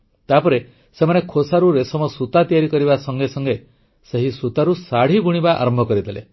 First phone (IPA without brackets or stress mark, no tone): t̪